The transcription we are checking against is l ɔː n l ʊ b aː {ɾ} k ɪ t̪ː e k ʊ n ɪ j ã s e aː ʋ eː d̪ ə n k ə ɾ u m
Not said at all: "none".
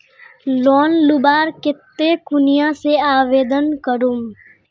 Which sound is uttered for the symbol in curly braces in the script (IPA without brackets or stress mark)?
ɾ